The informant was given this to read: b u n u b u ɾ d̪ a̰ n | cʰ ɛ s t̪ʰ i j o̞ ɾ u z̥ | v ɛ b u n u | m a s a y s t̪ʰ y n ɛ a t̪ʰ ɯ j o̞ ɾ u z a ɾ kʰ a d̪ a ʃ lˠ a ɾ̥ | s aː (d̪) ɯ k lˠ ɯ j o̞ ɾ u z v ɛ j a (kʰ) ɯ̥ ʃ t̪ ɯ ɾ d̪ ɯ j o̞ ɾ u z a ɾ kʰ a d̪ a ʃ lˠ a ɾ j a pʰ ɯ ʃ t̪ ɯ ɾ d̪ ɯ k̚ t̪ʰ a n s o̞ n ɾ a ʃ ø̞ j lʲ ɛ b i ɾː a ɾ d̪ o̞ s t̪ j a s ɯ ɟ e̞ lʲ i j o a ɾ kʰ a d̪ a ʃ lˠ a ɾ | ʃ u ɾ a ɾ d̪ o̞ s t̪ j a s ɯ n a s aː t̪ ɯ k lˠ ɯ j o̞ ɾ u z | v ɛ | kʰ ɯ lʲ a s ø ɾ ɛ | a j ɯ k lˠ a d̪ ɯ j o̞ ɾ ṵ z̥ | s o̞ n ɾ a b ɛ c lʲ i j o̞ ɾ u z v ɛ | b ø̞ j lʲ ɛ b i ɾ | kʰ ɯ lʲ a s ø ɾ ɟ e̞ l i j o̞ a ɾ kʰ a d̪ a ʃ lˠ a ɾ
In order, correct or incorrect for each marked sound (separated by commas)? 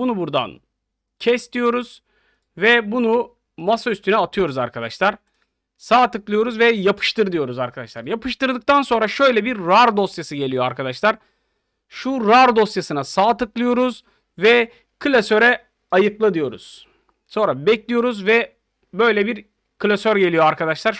incorrect, incorrect